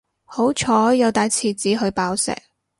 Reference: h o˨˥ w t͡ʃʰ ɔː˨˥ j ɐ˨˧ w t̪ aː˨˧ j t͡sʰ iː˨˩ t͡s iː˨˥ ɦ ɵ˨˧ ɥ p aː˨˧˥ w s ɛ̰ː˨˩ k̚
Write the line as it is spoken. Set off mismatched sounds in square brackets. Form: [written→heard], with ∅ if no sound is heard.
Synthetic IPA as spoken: h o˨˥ w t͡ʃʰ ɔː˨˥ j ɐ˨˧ w t̪ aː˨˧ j t͡sʰ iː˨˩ t͡s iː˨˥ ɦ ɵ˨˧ ɥ p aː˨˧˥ w s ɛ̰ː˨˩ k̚